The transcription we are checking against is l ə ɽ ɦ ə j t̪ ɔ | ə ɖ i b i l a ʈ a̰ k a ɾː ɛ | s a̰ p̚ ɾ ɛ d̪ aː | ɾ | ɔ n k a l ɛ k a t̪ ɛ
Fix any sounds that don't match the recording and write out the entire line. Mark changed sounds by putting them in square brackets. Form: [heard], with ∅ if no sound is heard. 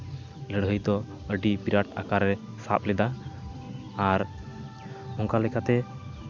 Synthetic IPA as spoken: l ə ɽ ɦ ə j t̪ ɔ | ə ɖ i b i [ɾ] a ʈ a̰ k a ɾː ɛ | s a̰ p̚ [l] ɛ d̪ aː | ɾ | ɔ [ŋ] k a l ɛ k a t̪ ɛ